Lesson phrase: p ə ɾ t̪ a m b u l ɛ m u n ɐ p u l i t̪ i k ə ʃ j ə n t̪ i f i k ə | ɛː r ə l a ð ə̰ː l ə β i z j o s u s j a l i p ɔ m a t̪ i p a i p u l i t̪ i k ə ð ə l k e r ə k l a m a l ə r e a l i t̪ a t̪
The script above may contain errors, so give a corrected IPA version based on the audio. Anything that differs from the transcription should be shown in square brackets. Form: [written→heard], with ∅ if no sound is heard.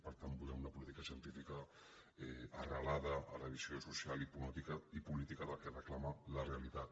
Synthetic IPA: p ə ɾ t̪ a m b u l ɛ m u n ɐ p u l i t̪ i k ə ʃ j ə n t̪ i f i k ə | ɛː r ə l a ð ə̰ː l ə β i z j o s u s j a l i p [ɔ→u] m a t̪ i [p→k] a i p u l i t̪ i k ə ð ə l k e r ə k l a m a l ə r e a l i t̪ a t̪